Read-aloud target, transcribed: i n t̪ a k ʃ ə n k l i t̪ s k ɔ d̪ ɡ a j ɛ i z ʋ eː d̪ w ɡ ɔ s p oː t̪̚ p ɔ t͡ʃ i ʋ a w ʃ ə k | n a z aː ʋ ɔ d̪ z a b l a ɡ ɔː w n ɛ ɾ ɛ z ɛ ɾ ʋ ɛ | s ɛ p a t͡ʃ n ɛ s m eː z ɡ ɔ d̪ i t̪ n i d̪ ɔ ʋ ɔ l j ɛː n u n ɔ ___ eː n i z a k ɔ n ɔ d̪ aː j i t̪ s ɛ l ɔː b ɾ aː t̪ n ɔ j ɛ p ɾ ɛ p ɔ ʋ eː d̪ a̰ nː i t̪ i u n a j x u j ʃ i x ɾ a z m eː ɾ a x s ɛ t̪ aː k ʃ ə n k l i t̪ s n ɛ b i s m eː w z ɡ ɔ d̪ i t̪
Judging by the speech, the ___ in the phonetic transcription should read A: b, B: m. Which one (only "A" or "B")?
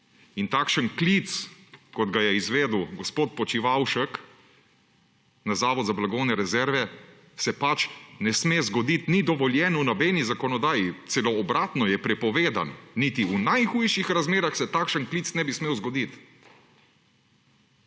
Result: A